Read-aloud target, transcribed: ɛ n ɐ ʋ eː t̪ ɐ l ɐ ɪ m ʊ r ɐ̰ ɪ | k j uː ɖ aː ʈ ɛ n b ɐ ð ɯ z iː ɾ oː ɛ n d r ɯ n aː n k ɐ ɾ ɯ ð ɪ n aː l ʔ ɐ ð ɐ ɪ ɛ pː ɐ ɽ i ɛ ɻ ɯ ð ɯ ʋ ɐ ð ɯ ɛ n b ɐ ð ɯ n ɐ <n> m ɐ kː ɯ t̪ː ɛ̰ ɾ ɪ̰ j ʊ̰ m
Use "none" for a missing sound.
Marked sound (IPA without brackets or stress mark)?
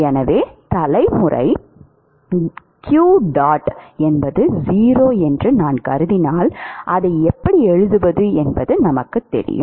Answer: none